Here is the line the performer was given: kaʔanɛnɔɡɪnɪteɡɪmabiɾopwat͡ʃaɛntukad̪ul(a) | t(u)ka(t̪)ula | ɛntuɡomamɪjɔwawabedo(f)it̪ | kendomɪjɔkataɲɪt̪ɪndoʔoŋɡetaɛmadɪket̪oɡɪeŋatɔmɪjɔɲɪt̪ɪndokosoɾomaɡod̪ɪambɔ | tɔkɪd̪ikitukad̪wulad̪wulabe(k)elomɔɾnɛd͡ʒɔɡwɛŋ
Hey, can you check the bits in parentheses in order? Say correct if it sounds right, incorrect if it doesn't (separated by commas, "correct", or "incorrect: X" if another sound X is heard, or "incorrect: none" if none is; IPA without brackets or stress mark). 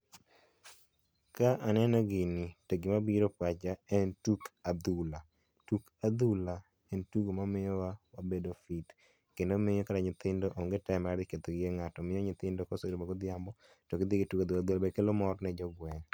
correct, correct, incorrect: d̪, correct, correct